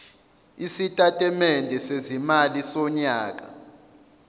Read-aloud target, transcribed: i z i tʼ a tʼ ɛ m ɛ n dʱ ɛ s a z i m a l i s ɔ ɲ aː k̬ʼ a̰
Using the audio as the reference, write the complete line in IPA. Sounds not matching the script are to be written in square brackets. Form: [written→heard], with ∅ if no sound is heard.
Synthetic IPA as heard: i [z→s] i tʼ a tʼ ɛ m ɛ n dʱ ɛ s [a→e] z i m a l i s ɔ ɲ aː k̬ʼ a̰